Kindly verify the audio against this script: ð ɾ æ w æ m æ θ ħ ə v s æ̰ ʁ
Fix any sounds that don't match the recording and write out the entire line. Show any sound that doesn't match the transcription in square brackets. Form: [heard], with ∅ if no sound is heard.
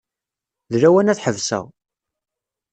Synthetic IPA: ð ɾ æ w æ [n] æ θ ħ ə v s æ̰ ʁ